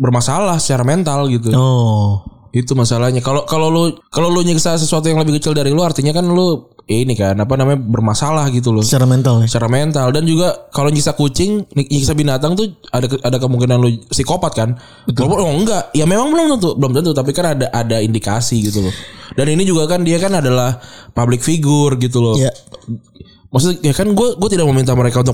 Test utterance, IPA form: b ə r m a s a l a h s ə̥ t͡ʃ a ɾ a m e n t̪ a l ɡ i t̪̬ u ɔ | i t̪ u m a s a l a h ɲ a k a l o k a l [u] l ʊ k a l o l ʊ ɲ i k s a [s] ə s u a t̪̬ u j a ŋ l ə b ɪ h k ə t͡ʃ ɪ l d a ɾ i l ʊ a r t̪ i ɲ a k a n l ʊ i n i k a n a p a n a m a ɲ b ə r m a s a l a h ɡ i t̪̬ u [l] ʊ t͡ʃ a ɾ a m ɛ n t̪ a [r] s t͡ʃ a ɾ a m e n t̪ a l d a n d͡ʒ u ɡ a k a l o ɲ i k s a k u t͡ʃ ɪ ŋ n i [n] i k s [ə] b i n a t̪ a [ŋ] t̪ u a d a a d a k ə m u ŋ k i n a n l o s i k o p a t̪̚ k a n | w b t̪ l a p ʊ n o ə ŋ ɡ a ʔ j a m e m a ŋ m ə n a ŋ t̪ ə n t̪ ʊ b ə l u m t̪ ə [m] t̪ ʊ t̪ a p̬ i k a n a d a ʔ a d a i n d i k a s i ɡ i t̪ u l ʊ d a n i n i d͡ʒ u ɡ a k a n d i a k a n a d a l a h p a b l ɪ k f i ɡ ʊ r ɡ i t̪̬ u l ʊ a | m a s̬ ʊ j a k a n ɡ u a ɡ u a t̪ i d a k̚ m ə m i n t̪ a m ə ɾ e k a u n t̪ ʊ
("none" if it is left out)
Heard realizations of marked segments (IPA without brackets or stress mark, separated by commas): o, s, l, l, ɲ, a, ŋ, n